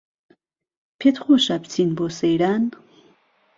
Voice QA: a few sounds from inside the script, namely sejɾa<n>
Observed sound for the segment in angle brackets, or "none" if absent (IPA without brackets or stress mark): n